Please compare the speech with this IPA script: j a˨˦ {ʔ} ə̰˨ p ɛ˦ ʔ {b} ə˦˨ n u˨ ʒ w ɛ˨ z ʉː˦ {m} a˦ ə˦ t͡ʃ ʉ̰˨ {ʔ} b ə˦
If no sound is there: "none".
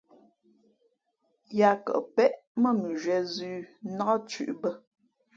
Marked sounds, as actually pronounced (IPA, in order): k, m, n, ʔ

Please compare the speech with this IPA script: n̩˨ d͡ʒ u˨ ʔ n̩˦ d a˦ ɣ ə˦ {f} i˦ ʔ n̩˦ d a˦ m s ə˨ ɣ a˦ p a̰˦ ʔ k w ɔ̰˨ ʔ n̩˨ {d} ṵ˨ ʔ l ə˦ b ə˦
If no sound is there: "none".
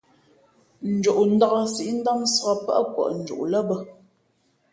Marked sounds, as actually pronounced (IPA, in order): s, d͡ʒ

